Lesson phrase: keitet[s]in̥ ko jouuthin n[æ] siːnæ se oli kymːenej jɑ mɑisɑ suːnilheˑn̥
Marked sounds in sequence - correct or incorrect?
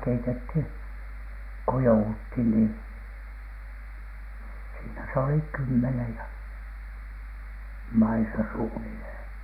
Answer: incorrect, incorrect

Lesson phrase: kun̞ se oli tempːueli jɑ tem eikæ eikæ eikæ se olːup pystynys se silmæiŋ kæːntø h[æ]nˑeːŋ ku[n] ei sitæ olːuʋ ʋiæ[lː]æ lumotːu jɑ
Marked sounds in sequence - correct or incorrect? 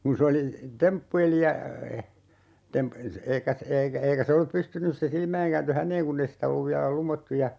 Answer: correct, incorrect, incorrect

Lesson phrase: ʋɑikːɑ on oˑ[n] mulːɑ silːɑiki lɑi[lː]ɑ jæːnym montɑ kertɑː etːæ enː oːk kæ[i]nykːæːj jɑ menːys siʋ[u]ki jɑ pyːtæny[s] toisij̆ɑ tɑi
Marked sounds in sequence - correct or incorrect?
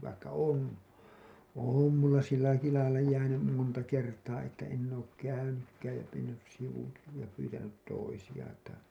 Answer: incorrect, correct, incorrect, correct, incorrect

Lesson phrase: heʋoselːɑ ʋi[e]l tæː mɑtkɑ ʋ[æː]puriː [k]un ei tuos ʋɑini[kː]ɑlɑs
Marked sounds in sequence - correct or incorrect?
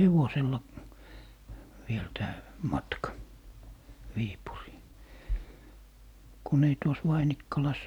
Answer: correct, incorrect, correct, correct

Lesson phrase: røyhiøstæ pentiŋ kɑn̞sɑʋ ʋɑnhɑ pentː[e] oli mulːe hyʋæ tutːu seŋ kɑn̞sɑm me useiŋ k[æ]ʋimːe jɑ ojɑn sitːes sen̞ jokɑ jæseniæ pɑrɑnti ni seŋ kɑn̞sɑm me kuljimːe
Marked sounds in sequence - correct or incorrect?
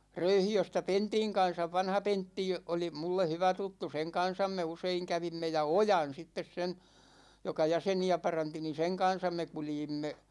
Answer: incorrect, correct

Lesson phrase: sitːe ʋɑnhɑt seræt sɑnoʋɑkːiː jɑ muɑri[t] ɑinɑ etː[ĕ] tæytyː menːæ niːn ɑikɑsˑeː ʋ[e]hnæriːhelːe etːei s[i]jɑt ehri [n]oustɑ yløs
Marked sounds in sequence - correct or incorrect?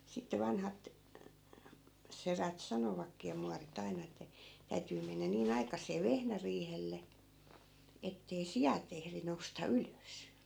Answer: correct, incorrect, correct, correct, correct

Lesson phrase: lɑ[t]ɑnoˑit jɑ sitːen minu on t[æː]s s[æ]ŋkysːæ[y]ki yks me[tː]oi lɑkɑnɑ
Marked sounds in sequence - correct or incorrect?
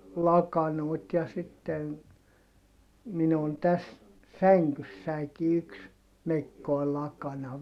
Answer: incorrect, incorrect, correct, incorrect, incorrect

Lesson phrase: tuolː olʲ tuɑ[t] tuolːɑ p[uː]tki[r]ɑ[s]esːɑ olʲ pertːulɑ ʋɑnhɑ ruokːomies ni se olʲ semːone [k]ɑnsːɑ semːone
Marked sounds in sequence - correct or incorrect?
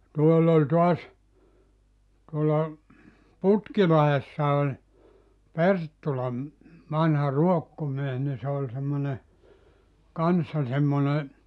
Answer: incorrect, incorrect, incorrect, incorrect, correct

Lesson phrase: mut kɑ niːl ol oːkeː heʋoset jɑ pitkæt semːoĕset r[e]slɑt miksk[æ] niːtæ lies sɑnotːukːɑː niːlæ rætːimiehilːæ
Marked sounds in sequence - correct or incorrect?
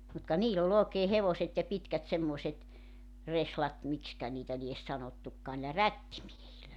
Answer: correct, correct

